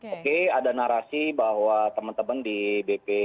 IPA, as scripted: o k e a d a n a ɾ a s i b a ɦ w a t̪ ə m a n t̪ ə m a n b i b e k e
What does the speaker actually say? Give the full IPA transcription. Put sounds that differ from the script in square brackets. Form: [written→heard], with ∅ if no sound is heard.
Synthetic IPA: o k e a d a n a ɾ a s i b a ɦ w a t̪ ə m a n t̪ ə m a n [b→d] i b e [k→p] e